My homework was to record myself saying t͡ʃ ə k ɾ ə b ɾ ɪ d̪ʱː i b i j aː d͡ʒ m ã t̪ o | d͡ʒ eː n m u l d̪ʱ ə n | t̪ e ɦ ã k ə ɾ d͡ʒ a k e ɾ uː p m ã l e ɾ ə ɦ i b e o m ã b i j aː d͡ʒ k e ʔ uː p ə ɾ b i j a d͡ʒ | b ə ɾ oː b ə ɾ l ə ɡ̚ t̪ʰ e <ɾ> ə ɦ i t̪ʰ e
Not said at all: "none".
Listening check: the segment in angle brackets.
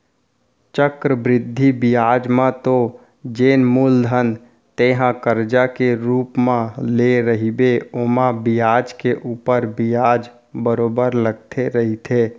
ɾ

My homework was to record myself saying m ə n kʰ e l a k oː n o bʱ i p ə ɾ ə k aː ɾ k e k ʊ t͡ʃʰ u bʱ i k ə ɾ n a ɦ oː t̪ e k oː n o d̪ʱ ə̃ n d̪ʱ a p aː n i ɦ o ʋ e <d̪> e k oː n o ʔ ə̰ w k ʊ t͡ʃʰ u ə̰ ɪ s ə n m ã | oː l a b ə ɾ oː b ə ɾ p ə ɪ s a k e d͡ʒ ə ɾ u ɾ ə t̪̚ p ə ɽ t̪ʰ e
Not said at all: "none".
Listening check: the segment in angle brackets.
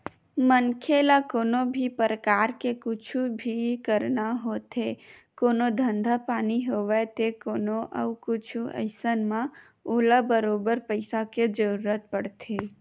t̪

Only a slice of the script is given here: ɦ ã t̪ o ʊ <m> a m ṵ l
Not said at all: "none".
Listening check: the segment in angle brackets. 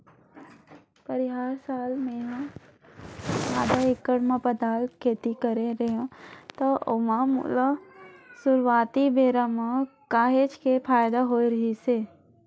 m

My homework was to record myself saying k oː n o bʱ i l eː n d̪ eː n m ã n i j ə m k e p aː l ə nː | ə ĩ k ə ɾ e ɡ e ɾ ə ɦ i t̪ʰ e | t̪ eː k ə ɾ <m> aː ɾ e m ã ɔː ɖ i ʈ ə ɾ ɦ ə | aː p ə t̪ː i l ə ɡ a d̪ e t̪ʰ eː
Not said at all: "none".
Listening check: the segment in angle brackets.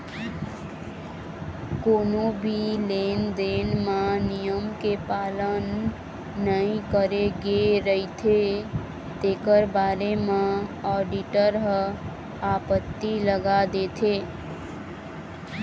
b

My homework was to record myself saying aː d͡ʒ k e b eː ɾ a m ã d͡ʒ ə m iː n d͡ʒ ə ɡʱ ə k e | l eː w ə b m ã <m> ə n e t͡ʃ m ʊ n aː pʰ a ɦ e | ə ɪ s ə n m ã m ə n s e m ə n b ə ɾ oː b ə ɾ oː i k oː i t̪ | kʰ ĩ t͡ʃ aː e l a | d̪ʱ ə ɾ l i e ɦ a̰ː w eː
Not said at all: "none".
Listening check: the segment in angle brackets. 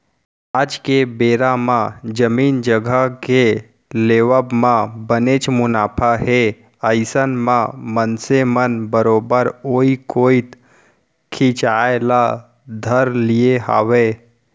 b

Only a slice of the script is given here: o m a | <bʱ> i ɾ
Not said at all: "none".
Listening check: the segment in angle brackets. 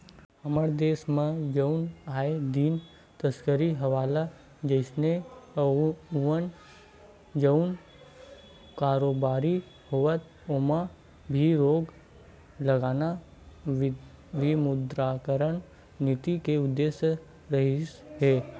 bʱ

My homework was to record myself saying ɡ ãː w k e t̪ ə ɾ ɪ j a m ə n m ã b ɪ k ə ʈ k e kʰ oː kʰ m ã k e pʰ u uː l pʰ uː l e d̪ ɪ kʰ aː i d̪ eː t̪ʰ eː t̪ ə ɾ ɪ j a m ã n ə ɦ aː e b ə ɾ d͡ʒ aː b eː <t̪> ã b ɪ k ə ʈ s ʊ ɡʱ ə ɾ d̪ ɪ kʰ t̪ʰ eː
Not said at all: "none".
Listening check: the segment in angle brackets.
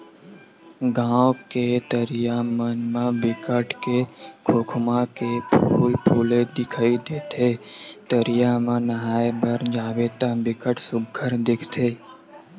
t̪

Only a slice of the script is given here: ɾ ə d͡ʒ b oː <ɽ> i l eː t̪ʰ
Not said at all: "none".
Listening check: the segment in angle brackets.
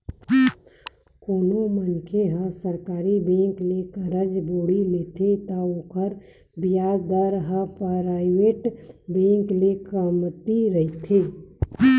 ɽ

